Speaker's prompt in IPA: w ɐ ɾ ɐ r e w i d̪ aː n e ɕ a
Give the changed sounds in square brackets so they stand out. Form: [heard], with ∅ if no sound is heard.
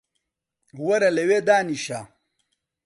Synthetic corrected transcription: w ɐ ɾ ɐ [l] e w [e] d̪ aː n [i] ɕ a